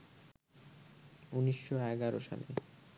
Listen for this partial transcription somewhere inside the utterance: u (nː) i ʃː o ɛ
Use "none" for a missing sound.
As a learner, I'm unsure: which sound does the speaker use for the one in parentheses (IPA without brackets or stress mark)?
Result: n